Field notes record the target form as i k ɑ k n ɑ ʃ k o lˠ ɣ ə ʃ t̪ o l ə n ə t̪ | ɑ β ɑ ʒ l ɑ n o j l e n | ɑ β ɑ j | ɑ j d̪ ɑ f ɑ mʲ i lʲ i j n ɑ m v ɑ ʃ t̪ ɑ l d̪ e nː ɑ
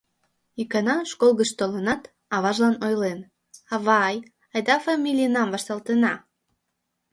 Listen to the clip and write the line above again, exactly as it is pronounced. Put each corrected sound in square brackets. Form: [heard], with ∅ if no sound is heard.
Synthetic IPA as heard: i k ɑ [∅] n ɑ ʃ k o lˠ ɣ ə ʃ t̪ o l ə n [ɑ] t̪ | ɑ β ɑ ʒ l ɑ n o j l e n | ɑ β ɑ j | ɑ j d̪ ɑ f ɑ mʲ i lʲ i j n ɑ m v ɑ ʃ t̪ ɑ l [t̪] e [n] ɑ